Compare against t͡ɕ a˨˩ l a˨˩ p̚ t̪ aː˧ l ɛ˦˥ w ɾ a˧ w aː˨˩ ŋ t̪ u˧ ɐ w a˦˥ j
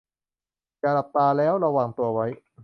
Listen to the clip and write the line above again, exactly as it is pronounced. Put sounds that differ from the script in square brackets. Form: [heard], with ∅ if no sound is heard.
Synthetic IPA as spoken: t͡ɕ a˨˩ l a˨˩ p̚ t̪ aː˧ l [ɛː˦˥] w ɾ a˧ w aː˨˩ ŋ t̪ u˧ ɐ w a˦˥ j